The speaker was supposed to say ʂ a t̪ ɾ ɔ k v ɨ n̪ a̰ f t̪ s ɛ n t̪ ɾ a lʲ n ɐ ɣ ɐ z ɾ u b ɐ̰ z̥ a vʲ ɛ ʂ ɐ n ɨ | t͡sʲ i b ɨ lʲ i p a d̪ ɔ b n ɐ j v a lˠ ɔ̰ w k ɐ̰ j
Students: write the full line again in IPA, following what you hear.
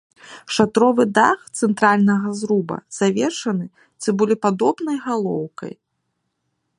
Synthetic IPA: ʂ a t̪ ɾ ɔ v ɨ d̪ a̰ x t̪ s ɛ n t̪ ɾ a lʲ n ɐ ɣ ɐ z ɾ u b ɐ̰ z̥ a vʲ ɛ ʂ ɐ n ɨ | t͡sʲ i b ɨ lʲ i p a d̪ ɔ b n ɐ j ɣ a lˠ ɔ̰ w k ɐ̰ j